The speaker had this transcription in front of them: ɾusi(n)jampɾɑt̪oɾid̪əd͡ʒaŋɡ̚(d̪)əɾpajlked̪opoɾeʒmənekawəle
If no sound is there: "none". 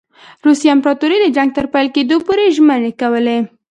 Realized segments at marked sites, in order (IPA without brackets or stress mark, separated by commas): none, t̪